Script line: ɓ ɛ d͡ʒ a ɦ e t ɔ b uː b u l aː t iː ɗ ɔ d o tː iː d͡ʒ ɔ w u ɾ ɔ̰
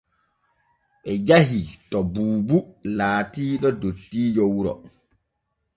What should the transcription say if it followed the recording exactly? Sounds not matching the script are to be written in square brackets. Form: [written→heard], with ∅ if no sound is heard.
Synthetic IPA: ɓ ɛ d͡ʒ a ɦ [e→i] t ɔ b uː b u l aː t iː ɗ ɔ d o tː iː d͡ʒ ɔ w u ɾ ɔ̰